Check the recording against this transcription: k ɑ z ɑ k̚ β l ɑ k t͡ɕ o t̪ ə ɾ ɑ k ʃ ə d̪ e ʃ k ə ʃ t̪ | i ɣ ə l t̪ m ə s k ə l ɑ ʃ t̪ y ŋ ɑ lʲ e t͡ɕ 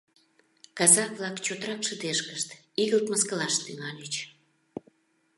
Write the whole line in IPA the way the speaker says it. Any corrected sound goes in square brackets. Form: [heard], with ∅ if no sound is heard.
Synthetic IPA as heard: k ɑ z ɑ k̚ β l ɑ k t͡ɕ o t̪ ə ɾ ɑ k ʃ ə d̪ e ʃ k ə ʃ t̪ | i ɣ ə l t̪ m ə s k ə l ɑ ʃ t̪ y ŋ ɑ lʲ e t͡ɕ